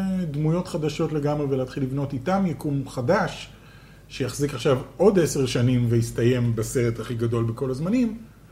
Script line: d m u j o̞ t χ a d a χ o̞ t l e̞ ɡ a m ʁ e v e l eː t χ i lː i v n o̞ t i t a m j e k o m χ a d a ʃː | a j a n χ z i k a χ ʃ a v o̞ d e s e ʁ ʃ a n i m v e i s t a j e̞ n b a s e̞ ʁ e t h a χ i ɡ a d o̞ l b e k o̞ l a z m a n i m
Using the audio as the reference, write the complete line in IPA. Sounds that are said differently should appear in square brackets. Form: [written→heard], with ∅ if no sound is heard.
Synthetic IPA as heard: d m u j o̞ t χ a d a [χ→ʃ] o̞ t l e̞ ɡ a m ʁ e v e l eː t χ i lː i v n o̞ t i t a m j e k [o→u] m χ a d a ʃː | [a→e] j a [n→∅] χ z i k a χ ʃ a v o̞ d e s e ʁ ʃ a n i m v e i s t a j e̞ [n→m] b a s e̞ ʁ e t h a χ i ɡ a d o̞ l b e k o̞ l a z m a n i m